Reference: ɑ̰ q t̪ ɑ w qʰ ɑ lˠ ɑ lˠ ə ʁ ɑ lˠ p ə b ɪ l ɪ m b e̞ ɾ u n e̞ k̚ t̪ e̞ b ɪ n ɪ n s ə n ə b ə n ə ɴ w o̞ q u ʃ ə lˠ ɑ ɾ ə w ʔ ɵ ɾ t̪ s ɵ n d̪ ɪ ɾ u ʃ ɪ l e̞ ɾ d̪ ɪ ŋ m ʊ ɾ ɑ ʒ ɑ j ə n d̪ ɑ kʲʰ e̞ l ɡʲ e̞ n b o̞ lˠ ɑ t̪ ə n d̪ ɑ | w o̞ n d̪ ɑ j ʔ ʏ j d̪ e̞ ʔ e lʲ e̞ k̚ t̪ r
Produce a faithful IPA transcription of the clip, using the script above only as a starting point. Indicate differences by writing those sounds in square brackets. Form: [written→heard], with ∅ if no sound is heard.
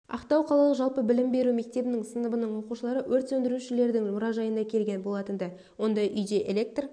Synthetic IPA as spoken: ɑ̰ q t̪ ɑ w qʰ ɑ lˠ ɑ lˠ ə [ʁ→ʒ] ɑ lˠ p ə b ɪ l ɪ m b e̞ ɾ u [n→m] e̞ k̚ t̪ e̞ b ɪ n ɪ [n→ŋ] s ə n ə b ə n ə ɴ w o̞ q u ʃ ə lˠ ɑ ɾ ə w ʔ ɵ ɾ t̪ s ɵ n d̪ ɪ ɾ u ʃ ɪ l e̞ ɾ d̪ ɪ ŋ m ʊ ɾ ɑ ʒ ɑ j ə n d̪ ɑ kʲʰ e̞ l ɡʲ e̞ n b o̞ lˠ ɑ t̪ ə n d̪ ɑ | w o̞ n d̪ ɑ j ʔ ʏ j d̪ e̞ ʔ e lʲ e̞ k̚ t̪ r